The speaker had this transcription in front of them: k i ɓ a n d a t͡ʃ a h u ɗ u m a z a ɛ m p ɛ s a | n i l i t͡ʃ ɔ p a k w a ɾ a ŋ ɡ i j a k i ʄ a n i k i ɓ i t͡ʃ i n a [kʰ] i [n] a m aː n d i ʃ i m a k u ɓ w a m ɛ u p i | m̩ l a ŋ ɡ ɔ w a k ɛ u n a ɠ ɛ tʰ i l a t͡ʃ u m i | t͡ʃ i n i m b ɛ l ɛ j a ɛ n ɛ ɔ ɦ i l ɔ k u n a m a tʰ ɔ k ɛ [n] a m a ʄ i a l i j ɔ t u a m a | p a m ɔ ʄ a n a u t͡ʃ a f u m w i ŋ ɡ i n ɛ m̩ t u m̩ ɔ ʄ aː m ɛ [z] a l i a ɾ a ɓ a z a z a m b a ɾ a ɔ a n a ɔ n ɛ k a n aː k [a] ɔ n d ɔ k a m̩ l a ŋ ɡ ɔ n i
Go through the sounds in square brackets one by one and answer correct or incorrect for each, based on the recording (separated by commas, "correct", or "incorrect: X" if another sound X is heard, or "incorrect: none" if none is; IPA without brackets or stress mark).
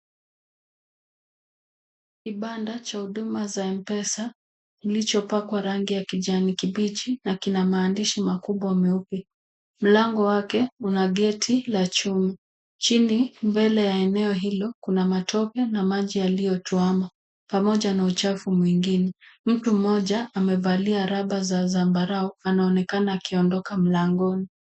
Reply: incorrect: k, correct, correct, incorrect: v, incorrect: i